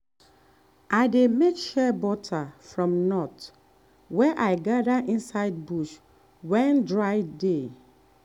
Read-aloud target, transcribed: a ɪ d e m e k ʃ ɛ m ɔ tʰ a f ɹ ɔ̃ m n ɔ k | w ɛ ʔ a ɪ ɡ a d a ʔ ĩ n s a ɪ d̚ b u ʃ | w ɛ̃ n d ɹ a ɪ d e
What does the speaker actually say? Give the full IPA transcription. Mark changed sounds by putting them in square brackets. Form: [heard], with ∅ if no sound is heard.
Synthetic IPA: a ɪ d e m e k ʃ ɛ [b] ɔ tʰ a f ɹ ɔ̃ m n ɔ [t] | w ɛ ʔ a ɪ ɡ a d a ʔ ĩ n s a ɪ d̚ b u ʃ | w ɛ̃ n d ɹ a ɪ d e